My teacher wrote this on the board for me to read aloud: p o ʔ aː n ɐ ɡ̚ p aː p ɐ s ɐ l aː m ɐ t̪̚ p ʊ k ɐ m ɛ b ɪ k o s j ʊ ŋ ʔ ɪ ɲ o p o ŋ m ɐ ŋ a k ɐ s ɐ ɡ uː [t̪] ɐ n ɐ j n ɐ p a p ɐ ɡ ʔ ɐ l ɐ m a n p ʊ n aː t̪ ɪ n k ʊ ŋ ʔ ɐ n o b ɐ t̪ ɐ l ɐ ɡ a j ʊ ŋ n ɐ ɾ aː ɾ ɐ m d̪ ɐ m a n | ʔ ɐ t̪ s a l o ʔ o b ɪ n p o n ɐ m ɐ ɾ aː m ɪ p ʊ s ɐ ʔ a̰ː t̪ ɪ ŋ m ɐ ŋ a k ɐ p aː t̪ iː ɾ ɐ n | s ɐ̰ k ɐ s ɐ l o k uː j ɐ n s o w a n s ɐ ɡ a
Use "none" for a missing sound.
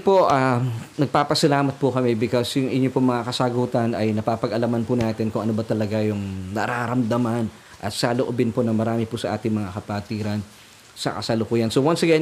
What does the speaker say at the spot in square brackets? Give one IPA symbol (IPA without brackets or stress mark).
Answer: t̪